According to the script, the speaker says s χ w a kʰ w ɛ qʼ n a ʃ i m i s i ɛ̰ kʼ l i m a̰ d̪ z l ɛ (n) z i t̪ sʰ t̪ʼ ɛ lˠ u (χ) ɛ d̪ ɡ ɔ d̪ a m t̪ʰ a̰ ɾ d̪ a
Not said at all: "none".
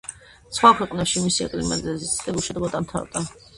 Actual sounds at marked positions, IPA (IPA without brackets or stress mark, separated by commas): none, ʃ